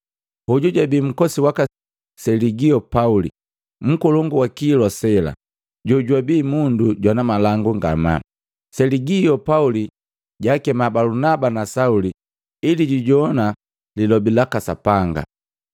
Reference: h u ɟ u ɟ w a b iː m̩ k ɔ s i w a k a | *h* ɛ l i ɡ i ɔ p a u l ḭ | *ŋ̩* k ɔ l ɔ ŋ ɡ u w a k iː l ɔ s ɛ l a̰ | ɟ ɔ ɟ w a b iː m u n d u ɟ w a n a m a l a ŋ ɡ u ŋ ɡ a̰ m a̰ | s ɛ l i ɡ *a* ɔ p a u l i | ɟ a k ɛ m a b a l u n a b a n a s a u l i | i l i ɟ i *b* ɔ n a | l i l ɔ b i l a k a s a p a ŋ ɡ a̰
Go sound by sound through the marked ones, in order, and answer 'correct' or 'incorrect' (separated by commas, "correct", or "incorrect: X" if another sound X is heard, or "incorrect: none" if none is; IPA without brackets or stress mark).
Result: incorrect: s, incorrect: m̩, incorrect: i, incorrect: ɟ